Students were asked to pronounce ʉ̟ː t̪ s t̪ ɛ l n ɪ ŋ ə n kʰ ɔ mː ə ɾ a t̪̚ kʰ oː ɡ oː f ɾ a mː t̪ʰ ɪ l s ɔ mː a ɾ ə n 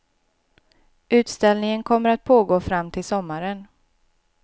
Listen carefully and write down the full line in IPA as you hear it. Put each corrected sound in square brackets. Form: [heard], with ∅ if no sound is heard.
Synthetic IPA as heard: ʉ̟ː t̪ s t̪ ɛ l n ɪ ŋ ə n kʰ ɔ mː ə ɾ a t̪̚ [pʰ] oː ɡ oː f ɾ a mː t̪ʰ ɪ l s ɔ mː a ɾ ə n